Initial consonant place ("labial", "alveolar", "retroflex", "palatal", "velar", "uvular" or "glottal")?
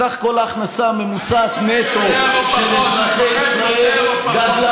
uvular